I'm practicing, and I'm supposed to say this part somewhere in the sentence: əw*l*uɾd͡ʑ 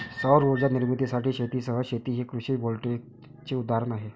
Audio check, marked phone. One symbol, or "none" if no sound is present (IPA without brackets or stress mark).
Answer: ɾ